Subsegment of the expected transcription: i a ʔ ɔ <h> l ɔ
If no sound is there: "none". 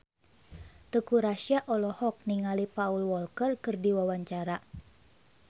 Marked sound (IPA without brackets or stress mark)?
none